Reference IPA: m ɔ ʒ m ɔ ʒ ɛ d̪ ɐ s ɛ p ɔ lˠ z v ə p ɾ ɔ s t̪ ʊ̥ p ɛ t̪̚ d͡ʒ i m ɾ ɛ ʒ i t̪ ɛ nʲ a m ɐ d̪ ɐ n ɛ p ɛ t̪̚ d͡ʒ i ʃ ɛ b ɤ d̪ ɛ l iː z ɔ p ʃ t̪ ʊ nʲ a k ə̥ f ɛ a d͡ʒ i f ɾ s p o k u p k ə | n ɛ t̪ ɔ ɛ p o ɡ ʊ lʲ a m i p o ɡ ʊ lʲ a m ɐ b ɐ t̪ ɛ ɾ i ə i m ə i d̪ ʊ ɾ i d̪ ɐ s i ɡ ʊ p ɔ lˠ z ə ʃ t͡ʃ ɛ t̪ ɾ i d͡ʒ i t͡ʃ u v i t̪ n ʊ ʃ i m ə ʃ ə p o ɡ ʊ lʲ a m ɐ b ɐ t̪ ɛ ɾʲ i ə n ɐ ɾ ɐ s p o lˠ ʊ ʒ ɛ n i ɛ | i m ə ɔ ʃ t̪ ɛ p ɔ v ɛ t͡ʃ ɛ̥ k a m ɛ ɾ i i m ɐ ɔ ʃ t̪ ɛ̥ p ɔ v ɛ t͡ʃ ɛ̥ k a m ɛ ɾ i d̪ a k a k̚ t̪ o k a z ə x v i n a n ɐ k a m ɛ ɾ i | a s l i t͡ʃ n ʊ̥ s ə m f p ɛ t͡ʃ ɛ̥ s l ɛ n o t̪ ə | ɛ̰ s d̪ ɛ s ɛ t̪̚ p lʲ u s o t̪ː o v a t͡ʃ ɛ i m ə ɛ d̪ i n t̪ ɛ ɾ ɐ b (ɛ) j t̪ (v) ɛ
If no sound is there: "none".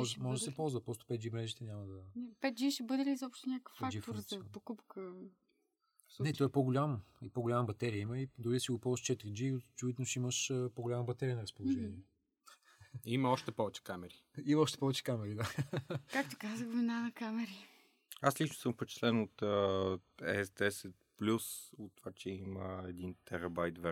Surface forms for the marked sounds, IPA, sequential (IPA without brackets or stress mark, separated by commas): a, v